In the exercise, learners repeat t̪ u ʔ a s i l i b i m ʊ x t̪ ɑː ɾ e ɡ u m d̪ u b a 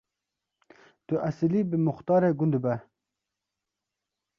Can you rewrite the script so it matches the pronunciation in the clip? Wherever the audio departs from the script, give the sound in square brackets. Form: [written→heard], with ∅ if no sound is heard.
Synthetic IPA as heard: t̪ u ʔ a s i l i b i m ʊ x t̪ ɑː ɾ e ɡ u [m→n] d̪ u b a